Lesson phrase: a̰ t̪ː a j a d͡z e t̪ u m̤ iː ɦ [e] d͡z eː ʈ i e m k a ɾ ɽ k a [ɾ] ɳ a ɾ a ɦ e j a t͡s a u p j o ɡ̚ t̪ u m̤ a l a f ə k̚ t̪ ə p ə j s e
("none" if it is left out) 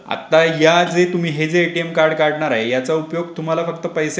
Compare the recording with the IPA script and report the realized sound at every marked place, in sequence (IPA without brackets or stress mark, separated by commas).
e, ɽ